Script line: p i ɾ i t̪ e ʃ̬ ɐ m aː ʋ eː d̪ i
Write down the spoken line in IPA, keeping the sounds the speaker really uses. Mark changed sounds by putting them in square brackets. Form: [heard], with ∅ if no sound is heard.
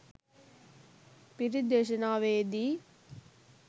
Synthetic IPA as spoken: p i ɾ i [d̪] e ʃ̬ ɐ [n] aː ʋ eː d̪ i